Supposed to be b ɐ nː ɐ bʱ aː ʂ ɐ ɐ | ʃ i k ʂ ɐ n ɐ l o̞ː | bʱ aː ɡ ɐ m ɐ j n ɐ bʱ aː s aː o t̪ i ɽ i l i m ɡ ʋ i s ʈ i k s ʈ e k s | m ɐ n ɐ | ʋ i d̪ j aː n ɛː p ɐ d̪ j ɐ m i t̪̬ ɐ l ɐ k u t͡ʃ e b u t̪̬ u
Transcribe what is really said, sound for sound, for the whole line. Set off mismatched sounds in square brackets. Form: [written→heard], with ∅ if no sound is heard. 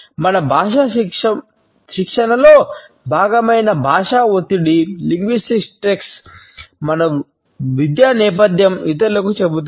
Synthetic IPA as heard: [b→m] ɐ [nː→n] ɐ bʱ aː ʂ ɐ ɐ | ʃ i k ʂ ɐ n ɐ l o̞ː | bʱ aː ɡ ɐ m ɐ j n ɐ bʱ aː [s→ʂ] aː o t̪ i ɽ i l i [m→ŋ] ɡ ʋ i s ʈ i k s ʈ e k s | m ɐ n ɐ | ʋ i d̪ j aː n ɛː p ɐ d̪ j ɐ m i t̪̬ ɐ l ɐ k u t͡ʃ e b u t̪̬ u